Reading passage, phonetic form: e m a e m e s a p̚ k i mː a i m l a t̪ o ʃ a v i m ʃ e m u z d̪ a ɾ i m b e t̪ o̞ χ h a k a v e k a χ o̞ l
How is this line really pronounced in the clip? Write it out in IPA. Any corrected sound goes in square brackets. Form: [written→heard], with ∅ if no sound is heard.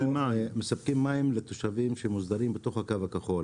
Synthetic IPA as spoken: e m a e m e s a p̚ k i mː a i m l [a→e] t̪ o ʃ a v i m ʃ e m u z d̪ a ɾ i m b e t̪ o̞ χ h a k a v [e→a] k a χ o̞ l